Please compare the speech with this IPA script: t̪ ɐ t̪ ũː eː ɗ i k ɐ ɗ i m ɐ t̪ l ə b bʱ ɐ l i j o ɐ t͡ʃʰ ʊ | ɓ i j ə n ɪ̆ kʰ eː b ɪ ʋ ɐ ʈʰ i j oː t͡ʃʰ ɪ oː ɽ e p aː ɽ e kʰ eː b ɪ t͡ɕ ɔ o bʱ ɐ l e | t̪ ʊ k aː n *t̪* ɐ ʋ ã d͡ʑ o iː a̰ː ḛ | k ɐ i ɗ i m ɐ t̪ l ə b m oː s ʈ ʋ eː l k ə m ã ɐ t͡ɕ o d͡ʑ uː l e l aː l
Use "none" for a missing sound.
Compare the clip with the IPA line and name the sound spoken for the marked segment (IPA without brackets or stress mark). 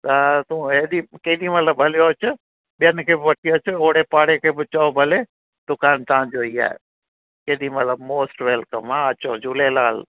t̪